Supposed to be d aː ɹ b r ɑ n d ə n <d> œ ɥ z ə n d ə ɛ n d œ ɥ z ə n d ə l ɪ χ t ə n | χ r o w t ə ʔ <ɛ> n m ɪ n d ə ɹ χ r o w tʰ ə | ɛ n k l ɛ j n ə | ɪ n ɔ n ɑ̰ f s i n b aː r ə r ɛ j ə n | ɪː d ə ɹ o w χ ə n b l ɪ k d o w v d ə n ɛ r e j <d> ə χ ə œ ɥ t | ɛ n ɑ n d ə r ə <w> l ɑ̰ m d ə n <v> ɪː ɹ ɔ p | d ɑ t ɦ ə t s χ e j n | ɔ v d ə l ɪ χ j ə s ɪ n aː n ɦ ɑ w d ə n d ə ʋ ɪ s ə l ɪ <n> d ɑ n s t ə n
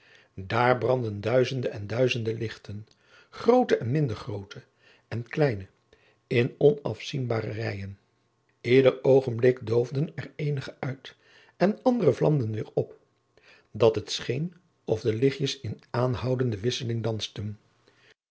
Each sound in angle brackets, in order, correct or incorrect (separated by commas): correct, correct, incorrect, incorrect, incorrect, incorrect